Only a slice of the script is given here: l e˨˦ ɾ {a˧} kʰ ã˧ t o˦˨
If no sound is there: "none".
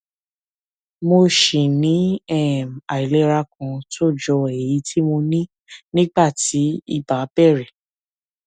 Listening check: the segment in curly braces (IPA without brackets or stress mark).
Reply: a˧